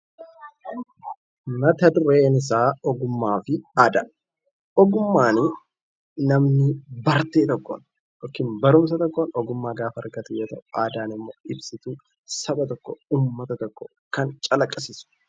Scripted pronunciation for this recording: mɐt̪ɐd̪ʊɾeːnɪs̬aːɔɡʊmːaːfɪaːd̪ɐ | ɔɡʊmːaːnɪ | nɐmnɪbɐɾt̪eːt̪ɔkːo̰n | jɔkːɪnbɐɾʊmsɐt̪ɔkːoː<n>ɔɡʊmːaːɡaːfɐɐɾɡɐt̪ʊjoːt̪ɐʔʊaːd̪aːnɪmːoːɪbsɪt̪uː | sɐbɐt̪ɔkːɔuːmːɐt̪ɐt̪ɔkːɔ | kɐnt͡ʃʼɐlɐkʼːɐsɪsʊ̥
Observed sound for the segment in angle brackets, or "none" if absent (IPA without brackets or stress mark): n